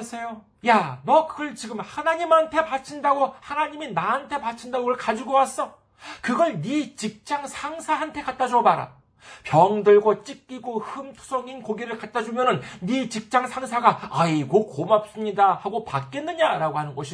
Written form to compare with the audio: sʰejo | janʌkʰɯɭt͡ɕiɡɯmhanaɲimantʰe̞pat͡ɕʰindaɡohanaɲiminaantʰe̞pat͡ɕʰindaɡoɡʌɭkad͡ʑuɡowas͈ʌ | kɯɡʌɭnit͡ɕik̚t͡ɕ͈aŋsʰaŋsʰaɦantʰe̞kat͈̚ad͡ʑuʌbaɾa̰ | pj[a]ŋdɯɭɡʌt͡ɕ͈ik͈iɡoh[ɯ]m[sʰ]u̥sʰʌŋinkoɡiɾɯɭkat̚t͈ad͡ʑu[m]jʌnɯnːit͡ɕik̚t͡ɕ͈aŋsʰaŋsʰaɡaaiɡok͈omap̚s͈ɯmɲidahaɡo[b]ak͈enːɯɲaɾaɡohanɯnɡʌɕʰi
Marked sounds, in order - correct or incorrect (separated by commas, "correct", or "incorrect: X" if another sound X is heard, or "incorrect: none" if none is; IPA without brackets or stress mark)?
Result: incorrect: ʌ, correct, incorrect: tʰ, correct, incorrect: p